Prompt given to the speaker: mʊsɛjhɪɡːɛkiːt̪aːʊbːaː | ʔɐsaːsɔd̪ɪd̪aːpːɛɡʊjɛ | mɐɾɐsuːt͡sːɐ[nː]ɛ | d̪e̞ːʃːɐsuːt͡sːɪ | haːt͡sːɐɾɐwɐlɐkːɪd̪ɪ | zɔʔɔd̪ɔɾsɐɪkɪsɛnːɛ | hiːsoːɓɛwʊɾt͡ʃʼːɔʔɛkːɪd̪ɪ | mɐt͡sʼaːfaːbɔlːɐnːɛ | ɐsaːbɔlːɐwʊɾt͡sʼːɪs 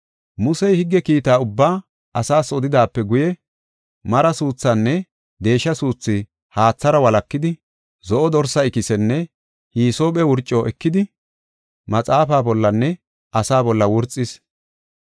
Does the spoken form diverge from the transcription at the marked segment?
no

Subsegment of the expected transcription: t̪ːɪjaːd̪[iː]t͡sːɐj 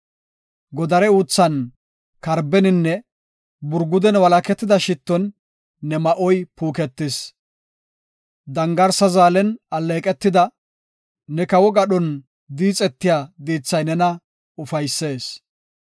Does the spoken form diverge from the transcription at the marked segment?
no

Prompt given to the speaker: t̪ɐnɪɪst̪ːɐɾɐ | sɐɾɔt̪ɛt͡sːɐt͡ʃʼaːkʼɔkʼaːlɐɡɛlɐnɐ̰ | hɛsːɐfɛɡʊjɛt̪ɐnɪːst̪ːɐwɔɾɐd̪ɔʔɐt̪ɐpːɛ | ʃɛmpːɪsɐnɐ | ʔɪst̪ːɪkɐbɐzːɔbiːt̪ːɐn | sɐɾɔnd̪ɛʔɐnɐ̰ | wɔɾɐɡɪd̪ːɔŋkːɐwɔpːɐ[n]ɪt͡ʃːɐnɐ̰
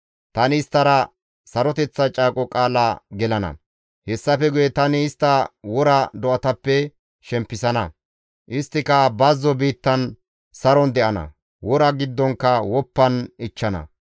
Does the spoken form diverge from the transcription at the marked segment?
no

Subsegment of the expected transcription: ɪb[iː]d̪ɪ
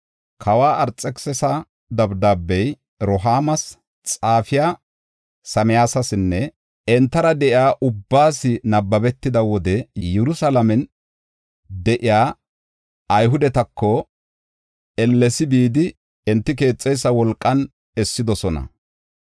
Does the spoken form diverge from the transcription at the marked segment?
no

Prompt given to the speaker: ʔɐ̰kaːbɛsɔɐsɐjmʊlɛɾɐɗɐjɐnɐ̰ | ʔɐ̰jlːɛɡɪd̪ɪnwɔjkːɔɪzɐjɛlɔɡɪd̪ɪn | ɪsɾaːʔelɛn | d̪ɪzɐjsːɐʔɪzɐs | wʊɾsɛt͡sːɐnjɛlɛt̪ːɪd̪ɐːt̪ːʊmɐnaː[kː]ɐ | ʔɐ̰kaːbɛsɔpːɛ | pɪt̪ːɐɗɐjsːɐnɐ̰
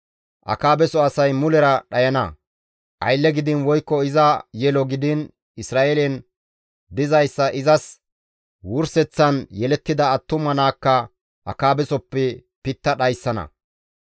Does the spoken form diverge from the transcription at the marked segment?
no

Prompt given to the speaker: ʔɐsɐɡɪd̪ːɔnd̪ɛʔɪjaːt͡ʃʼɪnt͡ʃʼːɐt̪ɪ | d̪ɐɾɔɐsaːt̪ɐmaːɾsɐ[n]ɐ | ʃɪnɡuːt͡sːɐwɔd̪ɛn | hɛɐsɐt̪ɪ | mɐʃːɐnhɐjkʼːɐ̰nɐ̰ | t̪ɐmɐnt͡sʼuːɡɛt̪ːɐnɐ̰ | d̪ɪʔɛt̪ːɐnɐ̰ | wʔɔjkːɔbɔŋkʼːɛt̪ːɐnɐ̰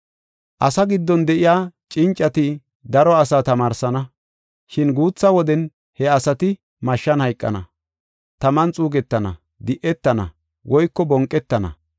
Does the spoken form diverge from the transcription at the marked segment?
no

